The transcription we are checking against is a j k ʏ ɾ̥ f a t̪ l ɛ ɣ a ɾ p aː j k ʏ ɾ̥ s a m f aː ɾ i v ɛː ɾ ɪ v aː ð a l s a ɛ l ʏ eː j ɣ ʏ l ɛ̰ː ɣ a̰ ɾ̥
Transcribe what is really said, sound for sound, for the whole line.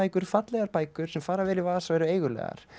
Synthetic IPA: a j k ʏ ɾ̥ f a t̪ l ɛ ɣ a ɾ p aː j k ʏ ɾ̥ s ɛ m f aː ɾ a v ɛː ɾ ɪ v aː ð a s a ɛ ɾ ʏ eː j ɣ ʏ l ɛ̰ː ɣ a̰ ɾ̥